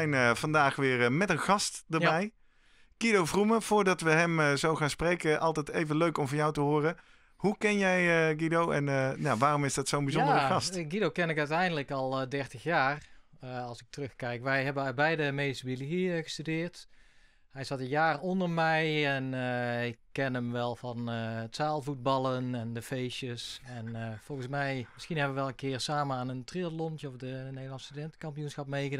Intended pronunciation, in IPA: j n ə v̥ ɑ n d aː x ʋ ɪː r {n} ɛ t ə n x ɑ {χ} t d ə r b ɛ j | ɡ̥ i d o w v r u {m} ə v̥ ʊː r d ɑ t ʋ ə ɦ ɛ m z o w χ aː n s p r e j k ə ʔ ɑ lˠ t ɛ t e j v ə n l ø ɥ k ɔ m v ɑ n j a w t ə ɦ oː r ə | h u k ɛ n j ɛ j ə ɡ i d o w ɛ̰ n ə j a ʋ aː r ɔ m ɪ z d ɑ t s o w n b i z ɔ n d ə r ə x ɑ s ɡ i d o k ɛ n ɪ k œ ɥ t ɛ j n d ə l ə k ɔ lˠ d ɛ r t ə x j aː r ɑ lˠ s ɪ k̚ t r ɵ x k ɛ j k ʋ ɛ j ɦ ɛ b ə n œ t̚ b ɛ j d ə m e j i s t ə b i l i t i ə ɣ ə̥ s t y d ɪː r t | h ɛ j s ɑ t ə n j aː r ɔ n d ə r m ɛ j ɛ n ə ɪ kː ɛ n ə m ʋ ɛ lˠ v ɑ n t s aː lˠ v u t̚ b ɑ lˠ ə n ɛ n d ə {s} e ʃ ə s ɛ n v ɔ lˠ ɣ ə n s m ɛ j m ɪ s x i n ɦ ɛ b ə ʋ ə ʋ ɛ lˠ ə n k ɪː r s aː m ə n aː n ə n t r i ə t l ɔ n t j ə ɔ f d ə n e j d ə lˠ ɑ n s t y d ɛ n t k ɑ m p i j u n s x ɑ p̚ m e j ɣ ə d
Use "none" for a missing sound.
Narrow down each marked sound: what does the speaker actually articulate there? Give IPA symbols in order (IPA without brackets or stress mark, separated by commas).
m, s, m, f